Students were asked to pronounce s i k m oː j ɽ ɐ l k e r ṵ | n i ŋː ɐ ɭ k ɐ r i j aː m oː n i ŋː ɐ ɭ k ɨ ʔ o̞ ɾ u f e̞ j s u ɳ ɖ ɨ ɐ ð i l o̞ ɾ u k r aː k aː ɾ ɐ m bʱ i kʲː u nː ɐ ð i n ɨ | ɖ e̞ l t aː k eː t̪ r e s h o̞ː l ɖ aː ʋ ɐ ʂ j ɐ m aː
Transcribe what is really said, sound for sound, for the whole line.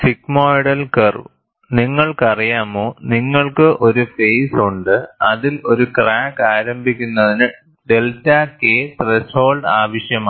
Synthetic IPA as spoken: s i k m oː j ɽ ɐ l k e r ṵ | n i ŋː ɐ ɭ k ɐ r i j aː m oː n i ŋː ɐ ɭ k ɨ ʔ o̞ ɾ u f e̞ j s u ɳ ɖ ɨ ɐ ð i l o̞ ɾ u k r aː k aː ɾ ɐ m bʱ i kʲː u nː ɐ ð i n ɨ | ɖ e̞ l t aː k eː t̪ r e s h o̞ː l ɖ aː ʋ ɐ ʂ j ɐ m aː

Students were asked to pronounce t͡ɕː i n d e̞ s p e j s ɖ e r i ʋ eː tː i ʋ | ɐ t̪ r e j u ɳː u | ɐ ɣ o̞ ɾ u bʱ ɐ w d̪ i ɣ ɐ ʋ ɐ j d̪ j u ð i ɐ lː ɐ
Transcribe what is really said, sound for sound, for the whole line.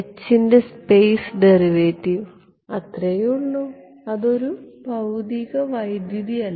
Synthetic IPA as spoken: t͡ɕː i n d e̞ s p e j s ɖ e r i ʋ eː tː i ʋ | ɐ t̪ r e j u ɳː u | ɐ ð o̞ ɾ u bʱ ɐ w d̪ i ɣ ɐ ʋ ɐ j d̪ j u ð i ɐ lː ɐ

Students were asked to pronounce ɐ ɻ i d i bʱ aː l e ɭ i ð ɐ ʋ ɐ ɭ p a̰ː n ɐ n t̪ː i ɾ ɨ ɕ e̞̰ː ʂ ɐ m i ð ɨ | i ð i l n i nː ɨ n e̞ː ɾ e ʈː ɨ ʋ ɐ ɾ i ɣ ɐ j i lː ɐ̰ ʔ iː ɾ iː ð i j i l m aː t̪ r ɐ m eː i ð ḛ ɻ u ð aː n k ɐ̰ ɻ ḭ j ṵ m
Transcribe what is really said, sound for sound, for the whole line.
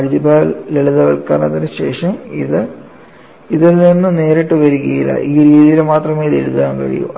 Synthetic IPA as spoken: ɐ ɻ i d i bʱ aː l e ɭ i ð ɐ ʋ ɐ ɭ k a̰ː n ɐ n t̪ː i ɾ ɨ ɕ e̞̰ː ʂ ɐ m i ð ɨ | i ð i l n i nː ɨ n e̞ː ɾ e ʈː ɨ ʋ ɐ ɾ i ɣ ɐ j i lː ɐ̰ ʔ iː ɾ iː ð i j i l m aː t̪ r ɐ m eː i ð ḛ ɻ u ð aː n k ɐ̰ ɻ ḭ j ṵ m

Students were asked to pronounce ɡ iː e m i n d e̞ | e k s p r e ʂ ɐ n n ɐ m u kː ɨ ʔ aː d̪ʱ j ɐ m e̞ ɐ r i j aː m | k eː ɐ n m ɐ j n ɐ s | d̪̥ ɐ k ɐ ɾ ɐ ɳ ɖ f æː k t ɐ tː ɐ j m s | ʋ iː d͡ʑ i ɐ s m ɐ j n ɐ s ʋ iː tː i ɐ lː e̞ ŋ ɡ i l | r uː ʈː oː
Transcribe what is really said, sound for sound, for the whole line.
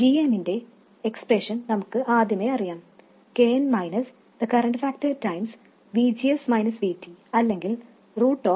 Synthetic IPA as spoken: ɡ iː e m i n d e̞ | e k s p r e ʂ ɐ n n ɐ m u kː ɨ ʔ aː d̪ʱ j ɐ m e̞ ɐ r i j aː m | k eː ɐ n m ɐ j n ɐ s | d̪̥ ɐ k ɐ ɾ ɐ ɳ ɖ f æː k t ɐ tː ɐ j m s | ʋ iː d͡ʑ i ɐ s m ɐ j n ɐ s ʋ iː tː i ɐ lː e̞ ŋ ɡ i l | r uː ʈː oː

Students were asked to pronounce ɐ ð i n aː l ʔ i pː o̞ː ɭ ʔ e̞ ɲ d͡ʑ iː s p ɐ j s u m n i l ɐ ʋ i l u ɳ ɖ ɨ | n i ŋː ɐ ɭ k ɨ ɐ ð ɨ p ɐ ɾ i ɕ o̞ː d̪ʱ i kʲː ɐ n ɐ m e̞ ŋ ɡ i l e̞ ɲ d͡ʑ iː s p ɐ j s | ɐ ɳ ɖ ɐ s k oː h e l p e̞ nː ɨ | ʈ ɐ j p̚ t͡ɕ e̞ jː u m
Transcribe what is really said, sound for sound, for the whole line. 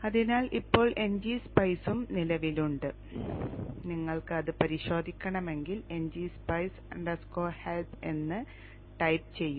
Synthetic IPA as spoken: ɐ ð i n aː l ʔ i pː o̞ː ɭ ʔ e̞ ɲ d͡ʑ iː s p ɐ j s u m n i l ɐ ʋ i l u ɳ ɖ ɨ | n i ŋː ɐ ɭ k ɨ ɐ ð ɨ p ɐ ɾ i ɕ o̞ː d̪ʱ i kʲː ɐ ɳ ɐ m e̞ ŋ ɡ i l e̞ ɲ d͡ʑ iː s p ɐ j s | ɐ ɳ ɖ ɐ s k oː h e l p e̞ nː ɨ | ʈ ɐ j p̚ t͡ɕ e̞ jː u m

